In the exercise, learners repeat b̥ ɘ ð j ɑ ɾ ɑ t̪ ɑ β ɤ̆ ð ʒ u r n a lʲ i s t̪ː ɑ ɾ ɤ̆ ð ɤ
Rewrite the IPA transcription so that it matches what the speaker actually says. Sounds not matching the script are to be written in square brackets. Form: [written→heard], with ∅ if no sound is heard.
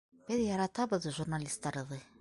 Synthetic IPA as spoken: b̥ ɘ ð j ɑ ɾ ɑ t̪ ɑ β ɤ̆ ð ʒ u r n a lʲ i s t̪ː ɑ ɾ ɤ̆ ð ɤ